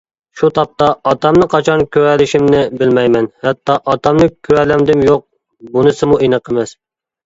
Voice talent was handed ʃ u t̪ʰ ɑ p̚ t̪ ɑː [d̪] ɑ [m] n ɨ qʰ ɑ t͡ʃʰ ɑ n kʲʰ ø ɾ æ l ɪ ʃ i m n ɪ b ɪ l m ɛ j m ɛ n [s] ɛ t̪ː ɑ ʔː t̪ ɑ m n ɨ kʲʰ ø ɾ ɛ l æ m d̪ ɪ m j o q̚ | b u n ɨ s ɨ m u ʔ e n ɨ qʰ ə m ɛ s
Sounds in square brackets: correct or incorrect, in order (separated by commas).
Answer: incorrect, correct, incorrect